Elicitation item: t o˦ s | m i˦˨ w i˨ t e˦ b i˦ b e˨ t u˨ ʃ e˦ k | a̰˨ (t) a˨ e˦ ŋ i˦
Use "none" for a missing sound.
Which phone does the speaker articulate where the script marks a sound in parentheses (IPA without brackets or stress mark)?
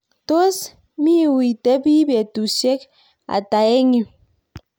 t